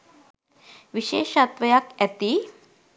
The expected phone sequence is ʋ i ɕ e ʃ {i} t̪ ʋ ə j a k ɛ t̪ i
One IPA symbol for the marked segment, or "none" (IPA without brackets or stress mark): a